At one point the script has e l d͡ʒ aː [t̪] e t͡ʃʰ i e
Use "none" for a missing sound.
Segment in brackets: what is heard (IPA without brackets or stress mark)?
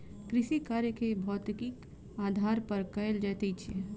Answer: t̪